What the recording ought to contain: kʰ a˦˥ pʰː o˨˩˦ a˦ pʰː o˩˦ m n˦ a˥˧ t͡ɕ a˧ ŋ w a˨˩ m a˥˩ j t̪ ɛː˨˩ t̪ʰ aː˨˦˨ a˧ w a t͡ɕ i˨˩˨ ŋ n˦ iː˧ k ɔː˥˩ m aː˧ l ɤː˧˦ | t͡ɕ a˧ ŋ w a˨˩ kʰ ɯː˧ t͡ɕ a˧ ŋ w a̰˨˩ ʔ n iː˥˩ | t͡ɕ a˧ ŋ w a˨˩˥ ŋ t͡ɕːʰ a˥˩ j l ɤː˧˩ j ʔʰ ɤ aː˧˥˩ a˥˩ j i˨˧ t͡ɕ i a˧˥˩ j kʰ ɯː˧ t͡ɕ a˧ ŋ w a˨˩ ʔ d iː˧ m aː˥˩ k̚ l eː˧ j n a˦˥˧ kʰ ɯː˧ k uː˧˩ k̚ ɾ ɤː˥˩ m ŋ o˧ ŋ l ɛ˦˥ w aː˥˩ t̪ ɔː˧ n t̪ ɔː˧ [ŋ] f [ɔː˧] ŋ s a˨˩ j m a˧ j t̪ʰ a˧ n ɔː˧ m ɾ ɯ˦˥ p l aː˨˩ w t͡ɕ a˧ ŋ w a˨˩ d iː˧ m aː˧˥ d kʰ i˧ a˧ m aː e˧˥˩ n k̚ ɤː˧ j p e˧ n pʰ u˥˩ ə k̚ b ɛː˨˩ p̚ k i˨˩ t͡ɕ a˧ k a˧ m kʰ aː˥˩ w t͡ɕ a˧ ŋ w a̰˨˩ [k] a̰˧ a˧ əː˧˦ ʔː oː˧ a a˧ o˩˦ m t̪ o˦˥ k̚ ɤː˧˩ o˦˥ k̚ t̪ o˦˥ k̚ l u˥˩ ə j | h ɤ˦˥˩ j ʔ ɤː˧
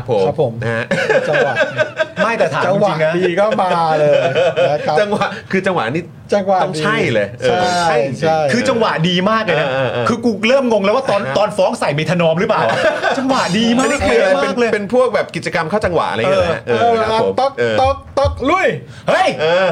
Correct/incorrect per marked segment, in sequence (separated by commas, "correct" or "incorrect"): incorrect, incorrect, incorrect